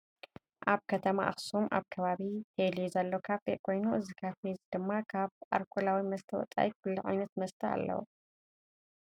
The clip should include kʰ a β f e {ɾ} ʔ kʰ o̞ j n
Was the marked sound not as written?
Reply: yes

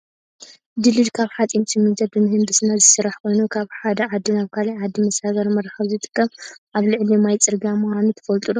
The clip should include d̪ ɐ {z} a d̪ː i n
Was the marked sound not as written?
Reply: yes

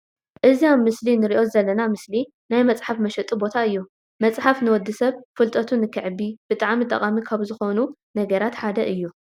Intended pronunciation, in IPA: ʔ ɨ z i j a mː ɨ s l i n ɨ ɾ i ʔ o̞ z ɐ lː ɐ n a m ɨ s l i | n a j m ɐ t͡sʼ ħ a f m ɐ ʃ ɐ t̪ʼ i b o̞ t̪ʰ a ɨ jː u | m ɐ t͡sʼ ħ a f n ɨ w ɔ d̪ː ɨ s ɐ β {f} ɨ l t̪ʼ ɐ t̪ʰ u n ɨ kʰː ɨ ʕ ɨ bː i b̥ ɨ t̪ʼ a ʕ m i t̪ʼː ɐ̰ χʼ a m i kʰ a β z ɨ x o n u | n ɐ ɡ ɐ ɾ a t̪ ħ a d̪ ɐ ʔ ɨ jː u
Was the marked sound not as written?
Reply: no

